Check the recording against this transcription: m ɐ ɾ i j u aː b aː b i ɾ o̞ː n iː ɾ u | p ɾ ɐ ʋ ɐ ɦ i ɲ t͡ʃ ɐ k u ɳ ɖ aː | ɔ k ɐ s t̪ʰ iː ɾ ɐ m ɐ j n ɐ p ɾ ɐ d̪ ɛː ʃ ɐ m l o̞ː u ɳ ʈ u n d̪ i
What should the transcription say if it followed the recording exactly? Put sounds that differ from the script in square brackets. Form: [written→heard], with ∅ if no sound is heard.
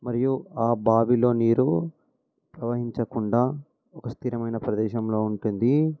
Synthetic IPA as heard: m ɐ ɾ i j u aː b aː b i [ɾ→l] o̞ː n iː ɾ u | p ɾ ɐ ʋ ɐ ɦ i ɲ t͡ʃ ɐ k u ɳ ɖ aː | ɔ k ɐ s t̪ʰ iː ɾ ɐ m ɐ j n ɐ p ɾ ɐ d̪ ɛː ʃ ɐ m l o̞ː u ɳ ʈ u n d̪ i

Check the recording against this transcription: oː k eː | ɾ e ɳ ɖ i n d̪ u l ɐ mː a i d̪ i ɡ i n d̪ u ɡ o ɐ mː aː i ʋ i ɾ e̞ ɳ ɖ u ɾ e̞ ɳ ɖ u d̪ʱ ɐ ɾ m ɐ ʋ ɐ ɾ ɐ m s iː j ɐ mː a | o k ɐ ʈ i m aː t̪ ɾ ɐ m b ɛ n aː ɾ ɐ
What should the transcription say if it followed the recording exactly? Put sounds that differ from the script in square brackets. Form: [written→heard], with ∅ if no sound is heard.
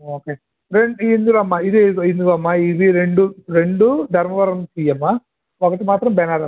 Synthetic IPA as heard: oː k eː | ɾ e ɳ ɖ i n d̪ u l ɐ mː a i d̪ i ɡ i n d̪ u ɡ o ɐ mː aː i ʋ i ɾ e̞ ɳ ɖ u ɾ e̞ ɳ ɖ u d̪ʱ ɐ ɾ m ɐ ʋ ɐ ɾ ɐ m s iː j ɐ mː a | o k ɐ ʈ i m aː t̪ ɾ ɐ m b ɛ n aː ɾ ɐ

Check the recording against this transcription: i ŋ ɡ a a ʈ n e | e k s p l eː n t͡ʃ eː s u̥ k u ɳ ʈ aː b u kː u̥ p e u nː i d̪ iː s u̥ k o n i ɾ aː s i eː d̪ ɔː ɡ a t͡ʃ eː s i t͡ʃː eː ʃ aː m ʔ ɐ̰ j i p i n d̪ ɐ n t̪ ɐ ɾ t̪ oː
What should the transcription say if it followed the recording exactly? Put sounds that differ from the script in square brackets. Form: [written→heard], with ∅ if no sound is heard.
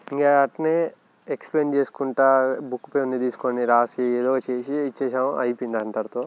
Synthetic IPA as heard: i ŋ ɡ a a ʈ n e | e k s p l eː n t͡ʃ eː s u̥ k u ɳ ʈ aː b u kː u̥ p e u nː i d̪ iː s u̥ k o n i ɾ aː s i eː d̪ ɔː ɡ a t͡ʃ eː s i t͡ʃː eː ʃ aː m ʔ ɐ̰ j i p i n d̪ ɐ n t̪ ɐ ɾ t̪ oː

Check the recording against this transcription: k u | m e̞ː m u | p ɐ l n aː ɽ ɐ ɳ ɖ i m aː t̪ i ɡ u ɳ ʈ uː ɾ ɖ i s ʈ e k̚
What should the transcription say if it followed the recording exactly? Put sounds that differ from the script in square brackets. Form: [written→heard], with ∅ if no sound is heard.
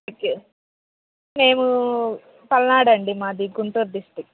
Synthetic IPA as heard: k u | m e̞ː m u | p ɐ l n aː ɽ ɐ ɳ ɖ i m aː [t̪→d̪] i ɡ u ɳ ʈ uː ɾ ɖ i s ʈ [e→i] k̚

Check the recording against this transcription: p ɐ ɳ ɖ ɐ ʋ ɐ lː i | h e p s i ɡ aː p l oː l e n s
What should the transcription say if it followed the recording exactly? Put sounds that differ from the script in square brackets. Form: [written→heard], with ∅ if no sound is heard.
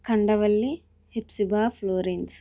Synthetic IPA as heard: [p→k] ɐ ɳ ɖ ɐ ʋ ɐ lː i | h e p s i [ɡ→b] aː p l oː [l→ɾ] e n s

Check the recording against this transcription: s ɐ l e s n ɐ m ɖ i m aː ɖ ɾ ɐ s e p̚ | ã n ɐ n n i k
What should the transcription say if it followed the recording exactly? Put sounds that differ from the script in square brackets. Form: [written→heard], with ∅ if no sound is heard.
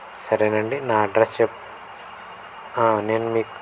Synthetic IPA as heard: s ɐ [l→ɾ] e [s→∅] n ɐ [m→ɳ] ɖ i [m→n] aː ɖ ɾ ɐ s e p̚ | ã n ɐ n [n→m] i k

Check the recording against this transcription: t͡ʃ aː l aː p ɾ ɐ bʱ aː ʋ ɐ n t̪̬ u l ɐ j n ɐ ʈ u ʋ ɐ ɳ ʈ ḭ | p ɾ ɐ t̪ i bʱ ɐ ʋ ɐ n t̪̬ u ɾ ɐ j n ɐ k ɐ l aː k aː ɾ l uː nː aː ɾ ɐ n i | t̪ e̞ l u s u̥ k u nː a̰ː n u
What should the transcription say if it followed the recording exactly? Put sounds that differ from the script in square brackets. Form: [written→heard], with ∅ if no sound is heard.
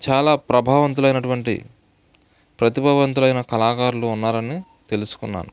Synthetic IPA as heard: t͡ʃ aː l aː p ɾ ɐ bʱ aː ʋ ɐ n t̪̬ u l ɐ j n ɐ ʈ u ʋ ɐ ɳ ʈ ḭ | p ɾ ɐ t̪ i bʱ ɐ ʋ ɐ n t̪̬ u [ɾ→l] ɐ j n ɐ k ɐ l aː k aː ɾ l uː nː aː ɾ ɐ n i | t̪ e̞ l u s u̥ k u nː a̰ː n u

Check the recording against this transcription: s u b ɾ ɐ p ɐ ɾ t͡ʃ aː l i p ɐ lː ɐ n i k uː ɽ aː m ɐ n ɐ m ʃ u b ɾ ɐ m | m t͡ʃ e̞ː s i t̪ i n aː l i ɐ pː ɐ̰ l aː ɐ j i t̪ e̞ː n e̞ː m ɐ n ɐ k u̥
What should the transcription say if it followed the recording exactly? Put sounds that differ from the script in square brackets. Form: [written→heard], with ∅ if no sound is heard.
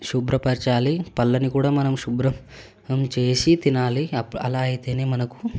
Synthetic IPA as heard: [s→ʃ] u b ɾ ɐ p ɐ ɾ t͡ʃ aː l i p ɐ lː ɐ n i k uː ɽ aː m ɐ n ɐ m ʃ u b ɾ ɐ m | m t͡ʃ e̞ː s i t̪ i n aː l i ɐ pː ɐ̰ l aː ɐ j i t̪ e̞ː n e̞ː m ɐ n ɐ k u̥

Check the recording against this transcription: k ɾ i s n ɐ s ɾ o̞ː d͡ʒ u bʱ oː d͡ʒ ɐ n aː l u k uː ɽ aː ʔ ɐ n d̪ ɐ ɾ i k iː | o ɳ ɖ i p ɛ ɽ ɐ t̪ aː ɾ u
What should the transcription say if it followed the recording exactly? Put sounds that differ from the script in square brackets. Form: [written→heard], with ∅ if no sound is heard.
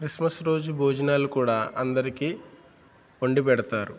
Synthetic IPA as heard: k ɾ i s [n→m] ɐ s ɾ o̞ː d͡ʒ u bʱ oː d͡ʒ ɐ n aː l u k uː ɽ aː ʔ ɐ n d̪ ɐ ɾ i k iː | o ɳ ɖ i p ɛ ɽ ɐ t̪ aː ɾ u

